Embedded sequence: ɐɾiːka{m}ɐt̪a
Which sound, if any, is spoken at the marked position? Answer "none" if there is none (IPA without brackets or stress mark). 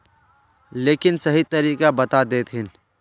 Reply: b